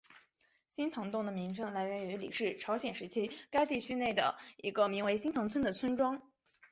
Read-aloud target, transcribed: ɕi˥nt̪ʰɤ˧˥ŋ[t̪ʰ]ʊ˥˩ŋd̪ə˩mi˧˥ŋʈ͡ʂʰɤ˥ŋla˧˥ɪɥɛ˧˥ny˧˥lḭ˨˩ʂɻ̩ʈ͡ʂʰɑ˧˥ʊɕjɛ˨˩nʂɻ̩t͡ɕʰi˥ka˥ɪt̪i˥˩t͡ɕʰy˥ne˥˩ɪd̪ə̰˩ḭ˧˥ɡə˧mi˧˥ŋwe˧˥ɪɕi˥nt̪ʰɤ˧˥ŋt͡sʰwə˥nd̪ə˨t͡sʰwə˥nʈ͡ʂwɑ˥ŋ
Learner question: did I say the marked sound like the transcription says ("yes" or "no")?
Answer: no